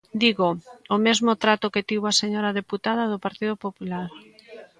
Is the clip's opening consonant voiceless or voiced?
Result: voiced